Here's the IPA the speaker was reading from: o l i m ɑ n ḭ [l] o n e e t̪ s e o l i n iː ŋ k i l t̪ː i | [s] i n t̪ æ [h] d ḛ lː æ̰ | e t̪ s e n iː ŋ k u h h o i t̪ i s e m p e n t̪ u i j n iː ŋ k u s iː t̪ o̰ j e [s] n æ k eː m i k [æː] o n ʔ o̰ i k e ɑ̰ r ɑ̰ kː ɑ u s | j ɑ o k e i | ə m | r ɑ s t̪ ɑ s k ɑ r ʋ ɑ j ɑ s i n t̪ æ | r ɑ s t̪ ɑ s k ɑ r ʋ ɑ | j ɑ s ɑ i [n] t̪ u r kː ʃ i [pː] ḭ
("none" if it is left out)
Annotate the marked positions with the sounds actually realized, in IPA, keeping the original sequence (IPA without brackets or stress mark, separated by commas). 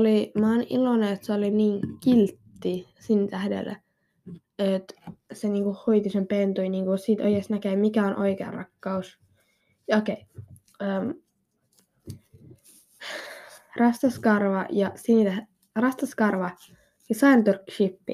l, s, h, s, æ, n, pː